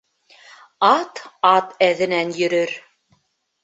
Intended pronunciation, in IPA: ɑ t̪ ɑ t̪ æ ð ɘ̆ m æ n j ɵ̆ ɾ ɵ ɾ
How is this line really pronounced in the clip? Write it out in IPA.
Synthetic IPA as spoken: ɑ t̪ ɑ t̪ æ ð ɘ̆ n æ n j ɵ̆ ɾ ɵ ɾ